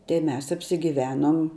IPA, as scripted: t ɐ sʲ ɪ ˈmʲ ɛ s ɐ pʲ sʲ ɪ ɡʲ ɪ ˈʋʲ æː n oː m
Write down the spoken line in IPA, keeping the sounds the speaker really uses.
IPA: t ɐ ɪ ˈmʲ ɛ s ɐ pʲ sʲ ɪ ɡʲ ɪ ˈʋʲ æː n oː m